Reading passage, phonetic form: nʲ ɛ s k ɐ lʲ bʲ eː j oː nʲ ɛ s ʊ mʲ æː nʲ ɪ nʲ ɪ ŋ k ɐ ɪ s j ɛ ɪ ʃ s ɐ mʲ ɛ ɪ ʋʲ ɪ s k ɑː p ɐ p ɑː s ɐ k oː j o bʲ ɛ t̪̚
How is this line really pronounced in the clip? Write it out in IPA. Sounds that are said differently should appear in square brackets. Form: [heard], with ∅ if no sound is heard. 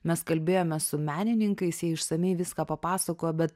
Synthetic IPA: [mʲ] ɛ s k ɐ lʲ bʲ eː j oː [mʲ] ɛ s ʊ mʲ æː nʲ ɪ nʲ ɪ ŋ k ɐ ɪ s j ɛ ɪ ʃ s ɐ mʲ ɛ ɪ ʋʲ ɪ s k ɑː p ɐ p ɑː s ɐ k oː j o bʲ ɛ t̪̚